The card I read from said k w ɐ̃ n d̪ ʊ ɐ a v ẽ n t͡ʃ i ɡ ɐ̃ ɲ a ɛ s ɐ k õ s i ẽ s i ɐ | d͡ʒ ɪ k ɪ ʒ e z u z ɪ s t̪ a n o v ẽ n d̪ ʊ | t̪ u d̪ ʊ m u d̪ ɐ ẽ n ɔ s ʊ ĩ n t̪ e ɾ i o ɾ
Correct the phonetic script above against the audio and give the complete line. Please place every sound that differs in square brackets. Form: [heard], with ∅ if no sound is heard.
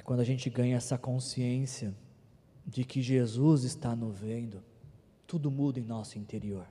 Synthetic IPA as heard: k w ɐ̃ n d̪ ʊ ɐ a [ʒ] ẽ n t͡ʃ [ɪ] ɡ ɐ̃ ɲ [ɐ] ɛ s ɐ k õ s i ẽ s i ɐ | d͡ʒ ɪ k ɪ ʒ e z u z ɪ s t̪ a n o v ẽ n d̪ ʊ | t̪ u d̪ ʊ m u d̪ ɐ ẽ n ɔ s ʊ ĩ n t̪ e ɾ i o ɾ